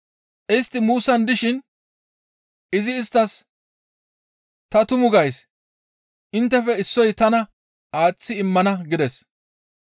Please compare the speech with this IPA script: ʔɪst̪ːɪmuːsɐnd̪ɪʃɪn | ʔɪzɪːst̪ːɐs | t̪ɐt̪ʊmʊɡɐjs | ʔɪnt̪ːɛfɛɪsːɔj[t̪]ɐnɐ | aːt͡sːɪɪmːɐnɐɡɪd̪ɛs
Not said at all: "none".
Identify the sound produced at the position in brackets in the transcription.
t̪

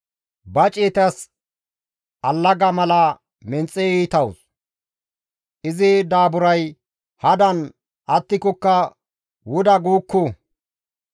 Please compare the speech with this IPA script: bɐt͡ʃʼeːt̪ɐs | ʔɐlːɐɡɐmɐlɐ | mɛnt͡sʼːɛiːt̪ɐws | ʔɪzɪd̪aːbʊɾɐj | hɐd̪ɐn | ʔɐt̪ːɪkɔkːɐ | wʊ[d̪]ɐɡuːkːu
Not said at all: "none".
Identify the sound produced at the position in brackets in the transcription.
d̪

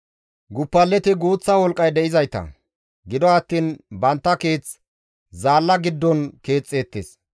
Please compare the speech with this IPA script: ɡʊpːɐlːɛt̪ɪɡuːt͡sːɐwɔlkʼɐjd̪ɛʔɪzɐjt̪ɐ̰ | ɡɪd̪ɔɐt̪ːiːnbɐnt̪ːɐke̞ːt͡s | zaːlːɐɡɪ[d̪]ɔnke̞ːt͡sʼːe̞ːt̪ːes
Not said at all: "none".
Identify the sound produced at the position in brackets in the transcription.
d̪ː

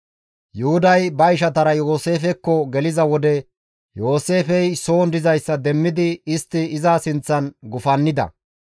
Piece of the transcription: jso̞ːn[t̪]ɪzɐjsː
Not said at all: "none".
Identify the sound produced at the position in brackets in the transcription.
d̪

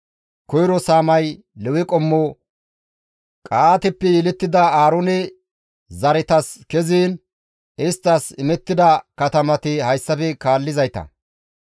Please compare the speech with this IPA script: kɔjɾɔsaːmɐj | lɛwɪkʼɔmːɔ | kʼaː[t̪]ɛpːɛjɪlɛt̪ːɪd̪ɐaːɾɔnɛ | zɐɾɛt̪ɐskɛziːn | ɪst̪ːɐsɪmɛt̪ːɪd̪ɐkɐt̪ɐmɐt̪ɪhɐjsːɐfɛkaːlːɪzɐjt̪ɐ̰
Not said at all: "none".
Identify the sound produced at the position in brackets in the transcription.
t̪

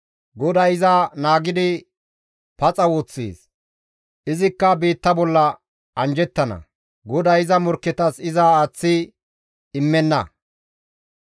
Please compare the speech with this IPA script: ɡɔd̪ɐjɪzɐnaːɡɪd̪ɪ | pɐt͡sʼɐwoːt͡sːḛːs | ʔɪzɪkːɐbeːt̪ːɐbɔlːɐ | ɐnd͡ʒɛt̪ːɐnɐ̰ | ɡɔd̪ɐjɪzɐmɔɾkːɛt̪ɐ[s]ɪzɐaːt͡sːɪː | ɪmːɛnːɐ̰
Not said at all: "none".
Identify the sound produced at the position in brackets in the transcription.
s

